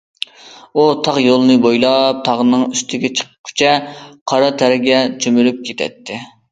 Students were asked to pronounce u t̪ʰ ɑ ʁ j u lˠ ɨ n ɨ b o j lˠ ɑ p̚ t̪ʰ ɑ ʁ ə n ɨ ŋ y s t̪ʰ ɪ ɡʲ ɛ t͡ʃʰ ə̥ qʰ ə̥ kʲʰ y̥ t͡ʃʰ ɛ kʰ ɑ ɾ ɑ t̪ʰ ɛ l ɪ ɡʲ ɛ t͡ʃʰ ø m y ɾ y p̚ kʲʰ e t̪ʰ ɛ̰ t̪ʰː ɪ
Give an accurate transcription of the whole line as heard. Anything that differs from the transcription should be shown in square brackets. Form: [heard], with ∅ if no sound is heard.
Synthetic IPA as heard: u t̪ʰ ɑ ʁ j [o] lˠ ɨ n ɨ b o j lˠ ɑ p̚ t̪ʰ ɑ ʁ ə n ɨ ŋ y s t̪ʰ ɪ ɡʲ ɛ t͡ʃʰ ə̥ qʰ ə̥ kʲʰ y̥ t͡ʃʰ ɛ [qʰ] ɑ ɾ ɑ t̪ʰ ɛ [ɾ] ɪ ɡʲ ɛ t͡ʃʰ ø m y ɾ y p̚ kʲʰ e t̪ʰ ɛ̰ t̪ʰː ɪ